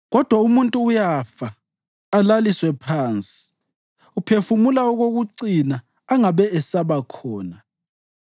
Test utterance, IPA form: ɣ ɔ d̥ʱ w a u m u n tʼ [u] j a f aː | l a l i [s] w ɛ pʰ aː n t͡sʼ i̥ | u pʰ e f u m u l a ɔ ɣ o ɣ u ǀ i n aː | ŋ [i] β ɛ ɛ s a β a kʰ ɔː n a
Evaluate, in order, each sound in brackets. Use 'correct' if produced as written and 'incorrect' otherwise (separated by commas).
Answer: incorrect, correct, incorrect